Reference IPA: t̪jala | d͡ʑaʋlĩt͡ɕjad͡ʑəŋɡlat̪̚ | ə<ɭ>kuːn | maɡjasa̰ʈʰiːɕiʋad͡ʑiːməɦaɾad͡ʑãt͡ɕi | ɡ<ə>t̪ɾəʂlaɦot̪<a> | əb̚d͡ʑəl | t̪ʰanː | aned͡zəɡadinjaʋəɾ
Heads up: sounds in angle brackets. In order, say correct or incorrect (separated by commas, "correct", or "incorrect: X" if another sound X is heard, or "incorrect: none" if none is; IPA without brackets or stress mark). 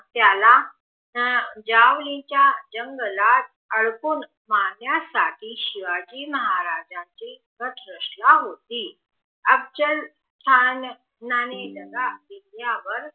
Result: correct, correct, incorrect: i